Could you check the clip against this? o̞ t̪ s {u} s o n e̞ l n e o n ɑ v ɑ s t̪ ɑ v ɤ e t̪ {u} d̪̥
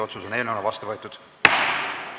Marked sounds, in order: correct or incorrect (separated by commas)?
correct, correct